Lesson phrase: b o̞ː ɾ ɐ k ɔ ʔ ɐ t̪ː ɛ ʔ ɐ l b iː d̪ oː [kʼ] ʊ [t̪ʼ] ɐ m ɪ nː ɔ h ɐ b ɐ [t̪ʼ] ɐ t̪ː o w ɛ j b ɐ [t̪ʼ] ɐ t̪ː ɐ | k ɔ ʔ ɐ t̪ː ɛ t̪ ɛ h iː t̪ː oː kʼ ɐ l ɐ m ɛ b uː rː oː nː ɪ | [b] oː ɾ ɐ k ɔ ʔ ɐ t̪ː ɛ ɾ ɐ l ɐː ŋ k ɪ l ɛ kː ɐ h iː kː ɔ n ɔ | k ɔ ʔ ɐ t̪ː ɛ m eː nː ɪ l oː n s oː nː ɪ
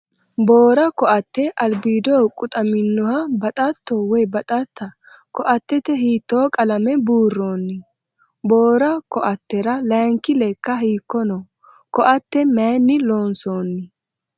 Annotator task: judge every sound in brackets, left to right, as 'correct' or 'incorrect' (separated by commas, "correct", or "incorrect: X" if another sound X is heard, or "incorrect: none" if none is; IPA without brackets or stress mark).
correct, correct, correct, correct, correct